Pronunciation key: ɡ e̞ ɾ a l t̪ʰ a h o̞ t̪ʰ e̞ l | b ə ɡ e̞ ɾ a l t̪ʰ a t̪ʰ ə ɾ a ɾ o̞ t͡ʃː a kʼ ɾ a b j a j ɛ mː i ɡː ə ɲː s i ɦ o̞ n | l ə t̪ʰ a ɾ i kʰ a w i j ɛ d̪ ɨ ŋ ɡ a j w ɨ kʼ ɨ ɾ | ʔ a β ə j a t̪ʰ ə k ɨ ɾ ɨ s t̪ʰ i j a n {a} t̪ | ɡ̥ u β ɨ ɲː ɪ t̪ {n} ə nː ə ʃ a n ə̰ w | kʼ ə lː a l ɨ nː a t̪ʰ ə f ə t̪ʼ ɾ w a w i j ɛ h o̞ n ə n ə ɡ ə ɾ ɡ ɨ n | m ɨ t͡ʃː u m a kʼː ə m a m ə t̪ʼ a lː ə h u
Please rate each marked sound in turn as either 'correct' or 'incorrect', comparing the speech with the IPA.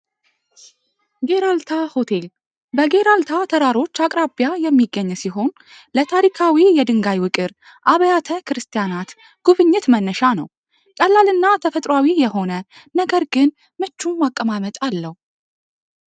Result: correct, incorrect: m

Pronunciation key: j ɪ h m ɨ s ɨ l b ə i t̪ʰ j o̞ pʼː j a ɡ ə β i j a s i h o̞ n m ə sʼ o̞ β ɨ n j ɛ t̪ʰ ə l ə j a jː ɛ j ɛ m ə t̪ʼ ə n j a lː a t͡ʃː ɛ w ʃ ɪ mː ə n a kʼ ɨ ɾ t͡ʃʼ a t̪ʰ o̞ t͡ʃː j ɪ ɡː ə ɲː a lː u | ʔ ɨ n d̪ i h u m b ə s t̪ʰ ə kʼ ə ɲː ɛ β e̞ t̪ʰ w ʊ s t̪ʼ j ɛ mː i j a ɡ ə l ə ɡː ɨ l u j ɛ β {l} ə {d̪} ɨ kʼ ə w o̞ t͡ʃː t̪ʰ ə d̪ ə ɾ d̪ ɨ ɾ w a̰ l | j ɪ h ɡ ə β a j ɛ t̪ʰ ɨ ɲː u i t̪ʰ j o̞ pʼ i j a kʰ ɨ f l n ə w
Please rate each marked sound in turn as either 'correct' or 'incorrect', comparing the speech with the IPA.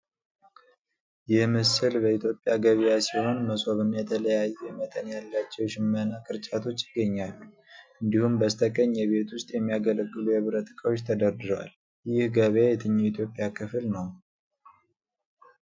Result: incorrect: ɾ, incorrect: t̪

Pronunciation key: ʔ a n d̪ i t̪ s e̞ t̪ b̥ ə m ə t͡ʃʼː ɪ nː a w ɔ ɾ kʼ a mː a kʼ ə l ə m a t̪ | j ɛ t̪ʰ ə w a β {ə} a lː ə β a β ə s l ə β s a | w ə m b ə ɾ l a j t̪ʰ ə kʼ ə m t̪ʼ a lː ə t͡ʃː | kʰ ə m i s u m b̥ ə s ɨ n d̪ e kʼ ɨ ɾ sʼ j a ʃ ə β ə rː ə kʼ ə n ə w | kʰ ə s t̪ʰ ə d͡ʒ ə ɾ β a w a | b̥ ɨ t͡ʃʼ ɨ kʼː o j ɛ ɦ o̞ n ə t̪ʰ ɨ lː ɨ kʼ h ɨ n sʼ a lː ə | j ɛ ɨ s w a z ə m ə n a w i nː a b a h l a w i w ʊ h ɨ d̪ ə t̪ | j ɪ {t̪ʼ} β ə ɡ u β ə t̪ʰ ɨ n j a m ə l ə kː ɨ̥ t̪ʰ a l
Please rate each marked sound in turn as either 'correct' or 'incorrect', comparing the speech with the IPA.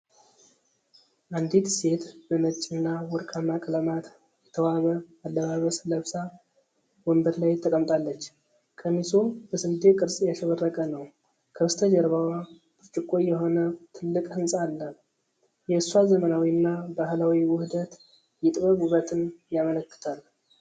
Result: correct, correct

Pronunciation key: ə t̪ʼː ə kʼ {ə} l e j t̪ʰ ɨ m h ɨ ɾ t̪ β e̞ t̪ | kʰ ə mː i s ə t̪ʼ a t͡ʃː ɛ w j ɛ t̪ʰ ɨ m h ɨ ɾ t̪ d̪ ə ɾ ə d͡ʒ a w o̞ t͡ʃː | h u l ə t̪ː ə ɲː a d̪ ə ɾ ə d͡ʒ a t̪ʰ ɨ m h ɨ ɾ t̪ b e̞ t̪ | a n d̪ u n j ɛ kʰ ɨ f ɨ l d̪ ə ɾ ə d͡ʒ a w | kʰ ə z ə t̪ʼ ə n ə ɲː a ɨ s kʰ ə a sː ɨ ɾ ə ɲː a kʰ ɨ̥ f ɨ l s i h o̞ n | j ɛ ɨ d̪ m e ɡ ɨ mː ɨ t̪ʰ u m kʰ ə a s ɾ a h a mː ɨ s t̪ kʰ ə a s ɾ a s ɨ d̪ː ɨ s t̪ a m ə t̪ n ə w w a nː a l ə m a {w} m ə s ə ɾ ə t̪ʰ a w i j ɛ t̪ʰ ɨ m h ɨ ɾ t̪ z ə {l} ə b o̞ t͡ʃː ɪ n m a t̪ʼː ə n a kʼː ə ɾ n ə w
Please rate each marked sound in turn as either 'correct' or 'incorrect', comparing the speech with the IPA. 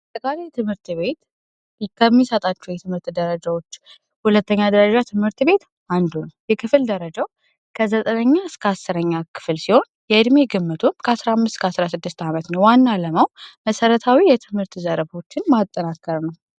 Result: incorrect: a, correct, incorrect: ɾ

